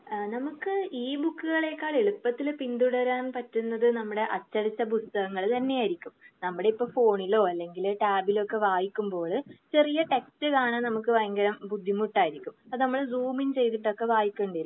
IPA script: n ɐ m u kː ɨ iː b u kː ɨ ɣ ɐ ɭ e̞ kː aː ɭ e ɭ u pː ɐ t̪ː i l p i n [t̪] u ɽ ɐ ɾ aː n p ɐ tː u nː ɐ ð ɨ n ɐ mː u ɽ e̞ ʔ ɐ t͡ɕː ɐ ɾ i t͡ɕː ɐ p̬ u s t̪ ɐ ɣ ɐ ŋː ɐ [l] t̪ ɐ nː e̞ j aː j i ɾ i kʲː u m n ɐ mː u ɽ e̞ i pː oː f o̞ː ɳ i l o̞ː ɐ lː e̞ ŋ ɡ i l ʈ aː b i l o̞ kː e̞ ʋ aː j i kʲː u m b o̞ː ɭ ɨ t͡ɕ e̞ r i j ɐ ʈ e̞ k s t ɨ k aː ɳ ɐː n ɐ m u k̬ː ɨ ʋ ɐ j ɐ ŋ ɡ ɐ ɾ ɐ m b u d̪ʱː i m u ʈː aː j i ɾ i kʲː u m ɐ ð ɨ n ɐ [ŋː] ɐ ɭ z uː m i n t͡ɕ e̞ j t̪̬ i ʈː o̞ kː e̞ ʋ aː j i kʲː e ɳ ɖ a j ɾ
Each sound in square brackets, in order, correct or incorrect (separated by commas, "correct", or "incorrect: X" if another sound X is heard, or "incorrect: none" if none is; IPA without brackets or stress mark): incorrect: d̪, incorrect: ɭ, incorrect: mː